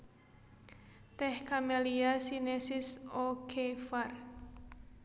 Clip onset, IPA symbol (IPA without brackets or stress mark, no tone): t̪